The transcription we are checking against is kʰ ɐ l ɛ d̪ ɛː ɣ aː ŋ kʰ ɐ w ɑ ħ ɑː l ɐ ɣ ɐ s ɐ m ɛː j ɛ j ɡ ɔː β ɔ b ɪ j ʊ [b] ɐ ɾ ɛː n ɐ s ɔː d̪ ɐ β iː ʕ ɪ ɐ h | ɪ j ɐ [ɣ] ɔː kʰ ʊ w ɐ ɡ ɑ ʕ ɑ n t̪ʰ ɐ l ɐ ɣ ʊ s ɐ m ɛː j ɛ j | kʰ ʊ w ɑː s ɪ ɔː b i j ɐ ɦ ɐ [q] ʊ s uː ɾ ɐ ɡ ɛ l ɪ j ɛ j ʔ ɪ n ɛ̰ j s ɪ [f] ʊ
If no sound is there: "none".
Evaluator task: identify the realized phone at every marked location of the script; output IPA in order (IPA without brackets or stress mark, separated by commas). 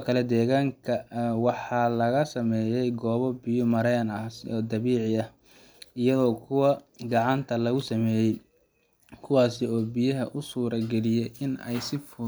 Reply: m, ð, ʔ, f